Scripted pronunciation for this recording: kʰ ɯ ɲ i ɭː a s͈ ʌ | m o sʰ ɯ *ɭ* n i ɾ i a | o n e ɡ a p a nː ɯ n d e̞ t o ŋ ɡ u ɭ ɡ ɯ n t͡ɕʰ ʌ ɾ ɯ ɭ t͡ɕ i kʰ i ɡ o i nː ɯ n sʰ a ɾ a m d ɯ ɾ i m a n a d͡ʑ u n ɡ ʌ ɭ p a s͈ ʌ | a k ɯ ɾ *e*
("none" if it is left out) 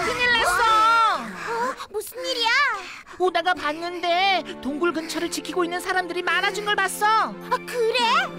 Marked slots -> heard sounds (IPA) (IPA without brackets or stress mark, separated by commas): none, e